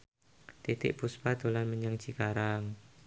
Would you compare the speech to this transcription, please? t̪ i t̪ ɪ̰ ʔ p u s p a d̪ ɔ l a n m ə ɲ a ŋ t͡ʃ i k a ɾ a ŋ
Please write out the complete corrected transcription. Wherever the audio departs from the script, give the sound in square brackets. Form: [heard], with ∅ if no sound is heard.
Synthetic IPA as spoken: t̪ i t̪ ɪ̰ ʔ p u s p a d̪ [o] l a n m ə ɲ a ŋ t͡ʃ i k a ɾ a ŋ